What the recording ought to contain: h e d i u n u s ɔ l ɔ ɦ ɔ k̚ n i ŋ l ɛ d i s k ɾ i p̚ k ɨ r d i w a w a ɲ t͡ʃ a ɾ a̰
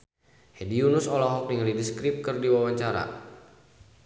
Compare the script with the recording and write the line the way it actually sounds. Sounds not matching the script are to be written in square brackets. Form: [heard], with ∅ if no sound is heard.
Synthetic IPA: h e d i u n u s ɔ l ɔ ɦ ɔ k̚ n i ŋ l [i] d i s k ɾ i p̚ k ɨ r d i w a w a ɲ t͡ʃ a ɾ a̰